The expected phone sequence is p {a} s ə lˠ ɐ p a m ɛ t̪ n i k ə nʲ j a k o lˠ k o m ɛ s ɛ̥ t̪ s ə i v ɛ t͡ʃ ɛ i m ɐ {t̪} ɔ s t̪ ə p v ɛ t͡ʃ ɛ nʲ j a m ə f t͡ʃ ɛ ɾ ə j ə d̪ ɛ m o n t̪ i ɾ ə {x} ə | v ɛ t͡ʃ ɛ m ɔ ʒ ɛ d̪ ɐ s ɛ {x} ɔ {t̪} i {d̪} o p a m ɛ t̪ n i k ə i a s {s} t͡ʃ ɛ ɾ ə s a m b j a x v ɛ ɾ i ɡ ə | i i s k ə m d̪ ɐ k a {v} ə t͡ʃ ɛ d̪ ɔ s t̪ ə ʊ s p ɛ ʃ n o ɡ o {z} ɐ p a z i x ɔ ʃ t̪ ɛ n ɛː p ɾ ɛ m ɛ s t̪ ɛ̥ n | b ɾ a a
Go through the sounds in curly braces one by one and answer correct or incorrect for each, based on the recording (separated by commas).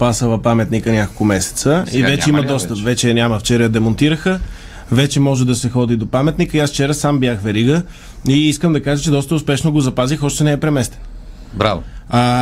correct, incorrect, correct, correct, incorrect, correct, incorrect, incorrect, correct